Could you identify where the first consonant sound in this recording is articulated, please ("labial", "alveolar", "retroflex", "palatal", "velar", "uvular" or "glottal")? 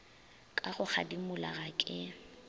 velar